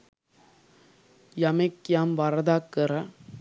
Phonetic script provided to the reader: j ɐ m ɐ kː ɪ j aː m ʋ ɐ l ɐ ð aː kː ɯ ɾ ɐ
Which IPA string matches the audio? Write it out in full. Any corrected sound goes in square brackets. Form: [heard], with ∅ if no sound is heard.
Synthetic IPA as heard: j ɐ m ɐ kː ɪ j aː m ʋ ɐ [ɾ] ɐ ð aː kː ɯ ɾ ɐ